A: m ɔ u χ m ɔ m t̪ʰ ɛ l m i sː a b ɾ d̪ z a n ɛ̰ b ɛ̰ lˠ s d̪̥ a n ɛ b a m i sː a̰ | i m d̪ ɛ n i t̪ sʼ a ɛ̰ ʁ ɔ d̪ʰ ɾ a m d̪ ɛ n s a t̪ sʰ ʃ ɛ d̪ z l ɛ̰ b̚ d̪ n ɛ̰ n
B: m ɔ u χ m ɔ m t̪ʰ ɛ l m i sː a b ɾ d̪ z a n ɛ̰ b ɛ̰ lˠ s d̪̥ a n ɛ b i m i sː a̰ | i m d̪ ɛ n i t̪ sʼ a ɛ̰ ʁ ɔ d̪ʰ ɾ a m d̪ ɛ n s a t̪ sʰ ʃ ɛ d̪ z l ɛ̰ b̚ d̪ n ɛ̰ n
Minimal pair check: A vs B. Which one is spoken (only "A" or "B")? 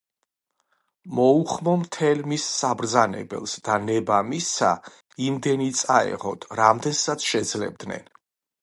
A